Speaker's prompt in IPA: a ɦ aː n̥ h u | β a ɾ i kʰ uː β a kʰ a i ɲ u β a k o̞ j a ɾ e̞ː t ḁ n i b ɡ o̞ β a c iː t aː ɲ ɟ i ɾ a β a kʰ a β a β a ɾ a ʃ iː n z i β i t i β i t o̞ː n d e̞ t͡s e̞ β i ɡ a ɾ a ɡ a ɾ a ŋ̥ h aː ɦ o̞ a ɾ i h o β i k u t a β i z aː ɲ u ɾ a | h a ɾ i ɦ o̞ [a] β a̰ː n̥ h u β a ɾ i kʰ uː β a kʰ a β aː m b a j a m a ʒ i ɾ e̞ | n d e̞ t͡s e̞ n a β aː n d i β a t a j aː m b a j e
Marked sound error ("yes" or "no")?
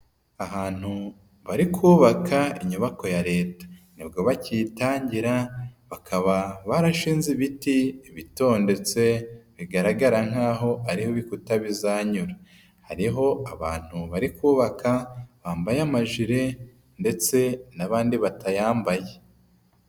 no